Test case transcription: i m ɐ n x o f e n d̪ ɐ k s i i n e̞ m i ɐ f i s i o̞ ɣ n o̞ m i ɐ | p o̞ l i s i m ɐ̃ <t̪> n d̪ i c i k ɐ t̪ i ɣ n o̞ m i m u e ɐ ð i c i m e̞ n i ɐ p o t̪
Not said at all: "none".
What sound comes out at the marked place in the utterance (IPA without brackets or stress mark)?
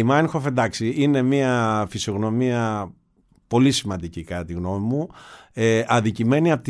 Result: none